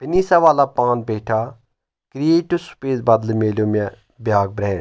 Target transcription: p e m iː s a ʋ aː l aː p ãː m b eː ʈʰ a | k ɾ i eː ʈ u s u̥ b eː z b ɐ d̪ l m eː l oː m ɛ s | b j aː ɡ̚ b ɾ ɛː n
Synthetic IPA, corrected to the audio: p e n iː s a ʋ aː l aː p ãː n b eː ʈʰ a | k ɾ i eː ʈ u s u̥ p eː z b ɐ d̪ l m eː l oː m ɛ | b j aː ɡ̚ b ɾ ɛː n